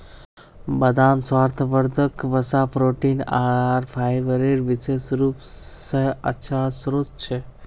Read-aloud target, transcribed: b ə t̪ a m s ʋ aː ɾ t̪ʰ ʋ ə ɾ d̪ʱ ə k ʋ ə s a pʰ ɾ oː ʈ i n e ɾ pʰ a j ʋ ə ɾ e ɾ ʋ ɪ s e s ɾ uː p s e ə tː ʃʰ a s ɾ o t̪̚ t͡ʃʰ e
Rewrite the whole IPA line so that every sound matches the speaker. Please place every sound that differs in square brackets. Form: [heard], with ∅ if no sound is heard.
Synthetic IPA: b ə [d̪] a m s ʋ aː ɾ t̪ʰ ʋ ə ɾ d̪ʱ ə k ʋ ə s a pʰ ɾ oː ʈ i n [a] ɾ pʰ a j ʋ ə ɾ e ɾ ʋ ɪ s e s ɾ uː p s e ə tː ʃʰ a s ɾ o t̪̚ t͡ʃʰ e